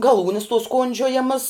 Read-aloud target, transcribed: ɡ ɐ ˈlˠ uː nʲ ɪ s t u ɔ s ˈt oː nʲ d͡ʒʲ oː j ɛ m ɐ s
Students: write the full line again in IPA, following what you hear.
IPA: ɡ ɐ ˈlˠ uː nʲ ɪ s t u ɔ s ˈk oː nʲ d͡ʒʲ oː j ɛ m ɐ s